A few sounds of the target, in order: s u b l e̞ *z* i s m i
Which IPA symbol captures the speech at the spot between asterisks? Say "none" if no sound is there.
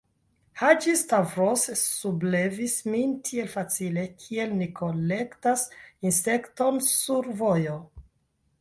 v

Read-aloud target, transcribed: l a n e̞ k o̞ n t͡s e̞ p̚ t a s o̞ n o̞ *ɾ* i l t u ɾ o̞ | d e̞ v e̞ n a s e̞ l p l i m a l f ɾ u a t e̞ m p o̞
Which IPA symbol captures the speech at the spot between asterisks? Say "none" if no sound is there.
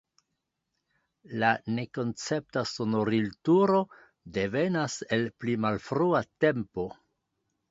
ɾ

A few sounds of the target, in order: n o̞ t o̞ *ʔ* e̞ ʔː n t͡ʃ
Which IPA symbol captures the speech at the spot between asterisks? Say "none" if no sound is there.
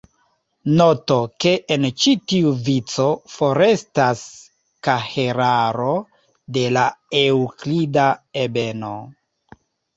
k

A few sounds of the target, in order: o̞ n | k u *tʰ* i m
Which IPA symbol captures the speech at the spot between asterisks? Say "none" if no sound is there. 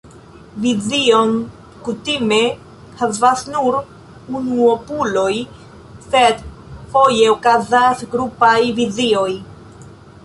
t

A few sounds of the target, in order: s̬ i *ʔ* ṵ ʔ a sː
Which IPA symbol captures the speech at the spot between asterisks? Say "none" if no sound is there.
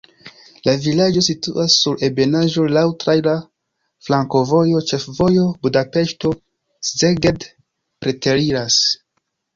t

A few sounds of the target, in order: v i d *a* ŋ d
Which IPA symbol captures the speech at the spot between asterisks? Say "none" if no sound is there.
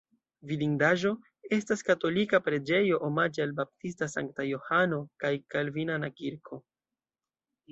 i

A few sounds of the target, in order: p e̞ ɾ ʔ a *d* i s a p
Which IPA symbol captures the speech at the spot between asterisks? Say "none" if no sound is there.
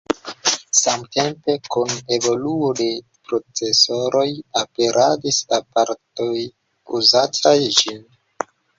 d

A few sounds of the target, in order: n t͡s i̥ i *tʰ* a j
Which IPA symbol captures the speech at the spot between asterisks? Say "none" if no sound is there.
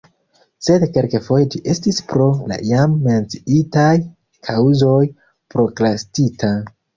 t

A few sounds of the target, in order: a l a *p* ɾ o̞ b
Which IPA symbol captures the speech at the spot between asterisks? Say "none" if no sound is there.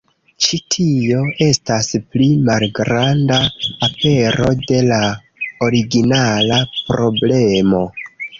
p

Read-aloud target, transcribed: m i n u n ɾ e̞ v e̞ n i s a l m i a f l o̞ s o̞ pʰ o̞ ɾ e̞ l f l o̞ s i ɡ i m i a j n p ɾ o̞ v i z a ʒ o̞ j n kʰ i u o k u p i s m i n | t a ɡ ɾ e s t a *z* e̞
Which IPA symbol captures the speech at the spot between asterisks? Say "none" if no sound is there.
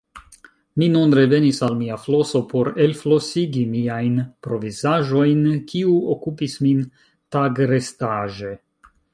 ʒ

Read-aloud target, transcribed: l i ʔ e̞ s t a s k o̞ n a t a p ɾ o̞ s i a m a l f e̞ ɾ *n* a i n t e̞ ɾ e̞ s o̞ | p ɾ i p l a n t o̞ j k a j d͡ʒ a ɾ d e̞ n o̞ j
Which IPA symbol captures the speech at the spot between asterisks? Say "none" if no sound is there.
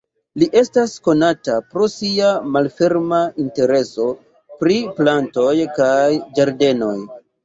m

